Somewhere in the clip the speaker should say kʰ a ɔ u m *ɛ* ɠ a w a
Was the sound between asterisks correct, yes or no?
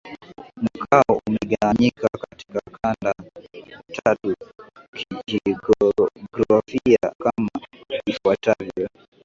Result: yes